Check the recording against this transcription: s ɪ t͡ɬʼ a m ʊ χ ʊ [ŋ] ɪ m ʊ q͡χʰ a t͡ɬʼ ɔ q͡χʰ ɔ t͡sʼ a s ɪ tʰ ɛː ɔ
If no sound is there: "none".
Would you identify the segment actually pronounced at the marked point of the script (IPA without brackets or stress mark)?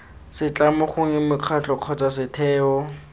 ŋ